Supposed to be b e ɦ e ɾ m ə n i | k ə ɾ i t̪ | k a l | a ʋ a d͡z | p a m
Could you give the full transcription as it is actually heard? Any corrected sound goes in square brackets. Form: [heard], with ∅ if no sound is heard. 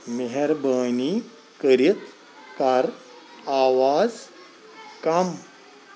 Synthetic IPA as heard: [m] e ɦ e ɾ [b] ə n i | k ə ɾ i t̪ | k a [ɾ] | a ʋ a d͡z | [k] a m